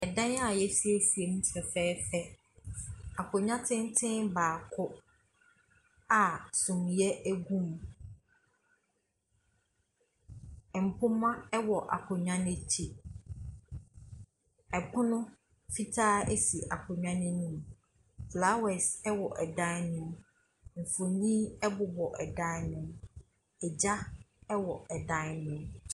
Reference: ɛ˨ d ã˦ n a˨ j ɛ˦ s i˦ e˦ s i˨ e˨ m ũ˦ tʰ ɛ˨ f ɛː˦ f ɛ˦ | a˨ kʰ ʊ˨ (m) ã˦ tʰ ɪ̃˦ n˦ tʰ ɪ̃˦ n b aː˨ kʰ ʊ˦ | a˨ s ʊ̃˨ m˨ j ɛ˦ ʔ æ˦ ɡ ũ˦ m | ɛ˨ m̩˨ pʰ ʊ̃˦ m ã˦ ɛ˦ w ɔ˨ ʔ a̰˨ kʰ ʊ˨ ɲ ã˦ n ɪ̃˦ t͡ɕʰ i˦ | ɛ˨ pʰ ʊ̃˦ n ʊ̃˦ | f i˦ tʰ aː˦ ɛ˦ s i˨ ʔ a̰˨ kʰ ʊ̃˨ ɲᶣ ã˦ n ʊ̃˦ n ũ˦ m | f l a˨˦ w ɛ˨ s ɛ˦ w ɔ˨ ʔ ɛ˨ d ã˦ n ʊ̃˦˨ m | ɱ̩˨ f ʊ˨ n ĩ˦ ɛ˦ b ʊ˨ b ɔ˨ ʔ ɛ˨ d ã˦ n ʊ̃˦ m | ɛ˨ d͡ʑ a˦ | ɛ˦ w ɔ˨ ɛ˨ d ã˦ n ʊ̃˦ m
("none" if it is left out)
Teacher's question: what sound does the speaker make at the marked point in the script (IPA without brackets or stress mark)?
ɲ